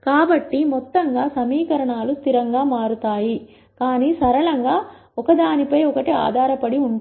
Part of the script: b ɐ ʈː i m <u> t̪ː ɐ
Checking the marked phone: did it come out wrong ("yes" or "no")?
yes